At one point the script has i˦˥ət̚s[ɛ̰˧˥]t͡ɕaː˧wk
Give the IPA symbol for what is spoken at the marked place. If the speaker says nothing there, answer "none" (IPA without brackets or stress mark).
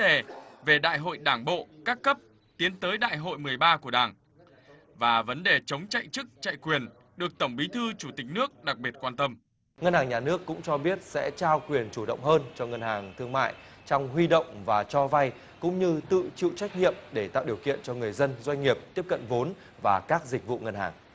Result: ɛ̰˧˥